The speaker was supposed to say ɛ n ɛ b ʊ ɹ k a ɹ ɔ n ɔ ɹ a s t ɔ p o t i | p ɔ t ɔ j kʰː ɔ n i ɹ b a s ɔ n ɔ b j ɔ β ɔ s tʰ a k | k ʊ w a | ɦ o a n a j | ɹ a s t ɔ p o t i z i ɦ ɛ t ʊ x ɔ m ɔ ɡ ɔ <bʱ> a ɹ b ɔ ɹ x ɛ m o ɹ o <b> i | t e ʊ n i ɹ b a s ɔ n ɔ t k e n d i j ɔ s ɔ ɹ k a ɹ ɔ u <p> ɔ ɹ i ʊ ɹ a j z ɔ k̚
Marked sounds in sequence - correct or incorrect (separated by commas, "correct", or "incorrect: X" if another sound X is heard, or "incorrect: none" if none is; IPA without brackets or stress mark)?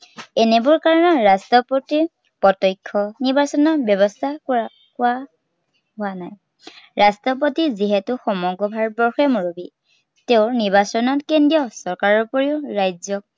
correct, correct, correct